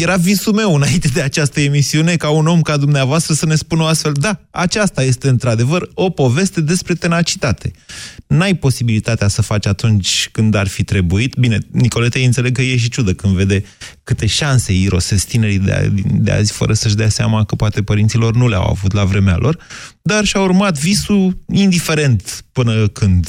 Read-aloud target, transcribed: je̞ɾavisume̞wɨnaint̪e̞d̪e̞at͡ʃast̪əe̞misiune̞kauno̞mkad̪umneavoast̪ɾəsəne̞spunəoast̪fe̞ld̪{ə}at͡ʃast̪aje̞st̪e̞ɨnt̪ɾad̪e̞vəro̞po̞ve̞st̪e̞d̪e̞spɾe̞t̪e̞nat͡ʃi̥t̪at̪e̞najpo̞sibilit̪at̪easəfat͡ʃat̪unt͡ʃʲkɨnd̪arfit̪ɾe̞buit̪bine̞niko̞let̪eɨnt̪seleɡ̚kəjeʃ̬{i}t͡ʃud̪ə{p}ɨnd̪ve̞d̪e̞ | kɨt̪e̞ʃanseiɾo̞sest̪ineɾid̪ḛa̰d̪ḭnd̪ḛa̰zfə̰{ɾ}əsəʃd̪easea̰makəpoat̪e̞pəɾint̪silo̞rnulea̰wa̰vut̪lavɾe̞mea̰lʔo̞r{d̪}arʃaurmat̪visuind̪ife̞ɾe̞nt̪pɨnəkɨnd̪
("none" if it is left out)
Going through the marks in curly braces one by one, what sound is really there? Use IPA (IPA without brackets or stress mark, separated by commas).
a, i, k, ɾ, d̪